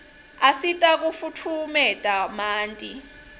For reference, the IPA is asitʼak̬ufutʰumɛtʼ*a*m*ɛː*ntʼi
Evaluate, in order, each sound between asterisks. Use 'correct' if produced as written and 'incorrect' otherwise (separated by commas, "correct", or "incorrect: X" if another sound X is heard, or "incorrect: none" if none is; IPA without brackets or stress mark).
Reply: correct, incorrect: aː